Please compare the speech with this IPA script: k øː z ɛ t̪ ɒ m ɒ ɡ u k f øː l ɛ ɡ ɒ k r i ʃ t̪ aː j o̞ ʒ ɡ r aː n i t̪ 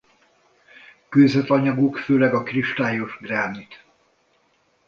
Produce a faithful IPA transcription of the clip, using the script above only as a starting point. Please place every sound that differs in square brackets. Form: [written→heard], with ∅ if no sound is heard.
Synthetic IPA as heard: k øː z ɛ t̪ ɒ [m→ɲ] ɒ ɡ u k f øː l ɛ ɡ ɒ k r i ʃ t̪ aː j o̞ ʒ ɡ r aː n i t̪